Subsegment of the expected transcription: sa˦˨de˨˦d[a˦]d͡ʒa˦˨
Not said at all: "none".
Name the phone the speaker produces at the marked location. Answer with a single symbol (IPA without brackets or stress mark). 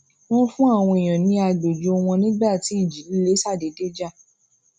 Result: e˦